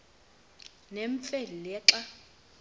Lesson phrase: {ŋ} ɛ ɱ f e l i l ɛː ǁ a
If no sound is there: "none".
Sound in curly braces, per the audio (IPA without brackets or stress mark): n